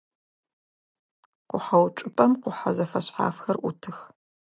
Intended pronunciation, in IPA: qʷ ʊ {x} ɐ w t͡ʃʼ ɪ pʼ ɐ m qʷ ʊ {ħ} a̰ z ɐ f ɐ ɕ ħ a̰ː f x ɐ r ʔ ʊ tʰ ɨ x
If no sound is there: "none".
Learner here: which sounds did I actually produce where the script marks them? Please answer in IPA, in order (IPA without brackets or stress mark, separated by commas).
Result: ħ, ħ